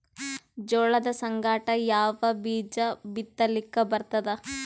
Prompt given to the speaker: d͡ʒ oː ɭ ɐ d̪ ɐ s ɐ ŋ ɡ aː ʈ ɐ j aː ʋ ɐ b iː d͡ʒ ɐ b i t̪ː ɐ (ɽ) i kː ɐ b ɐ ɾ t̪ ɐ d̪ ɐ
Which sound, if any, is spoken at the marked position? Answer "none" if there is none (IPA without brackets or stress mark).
l